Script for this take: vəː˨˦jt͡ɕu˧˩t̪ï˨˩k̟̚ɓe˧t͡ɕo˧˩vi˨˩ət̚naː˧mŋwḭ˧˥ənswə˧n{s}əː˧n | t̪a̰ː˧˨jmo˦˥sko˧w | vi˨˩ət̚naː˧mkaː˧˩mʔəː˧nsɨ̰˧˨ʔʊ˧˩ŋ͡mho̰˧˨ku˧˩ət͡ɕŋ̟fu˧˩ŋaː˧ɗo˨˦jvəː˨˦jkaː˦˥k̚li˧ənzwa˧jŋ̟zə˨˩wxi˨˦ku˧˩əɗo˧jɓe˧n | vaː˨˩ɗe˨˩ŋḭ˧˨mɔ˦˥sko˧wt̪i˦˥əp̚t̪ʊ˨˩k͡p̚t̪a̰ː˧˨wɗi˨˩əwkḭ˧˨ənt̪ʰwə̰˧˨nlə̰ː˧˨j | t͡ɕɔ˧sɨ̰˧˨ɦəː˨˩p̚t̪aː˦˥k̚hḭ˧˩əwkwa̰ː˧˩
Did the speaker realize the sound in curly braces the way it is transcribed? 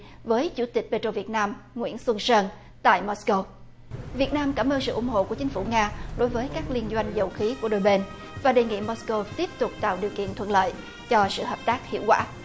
yes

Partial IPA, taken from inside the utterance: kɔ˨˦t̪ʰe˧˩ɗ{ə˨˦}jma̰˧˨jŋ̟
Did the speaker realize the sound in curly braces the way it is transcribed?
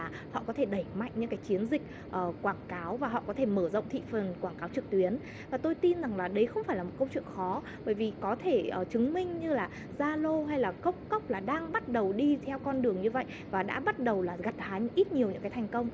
no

